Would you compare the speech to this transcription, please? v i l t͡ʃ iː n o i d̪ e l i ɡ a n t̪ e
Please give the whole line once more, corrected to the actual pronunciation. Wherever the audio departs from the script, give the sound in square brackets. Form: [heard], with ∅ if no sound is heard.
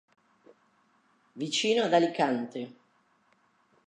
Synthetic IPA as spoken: v i [∅] t͡ʃ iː n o [a] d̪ [a] l i [k] a n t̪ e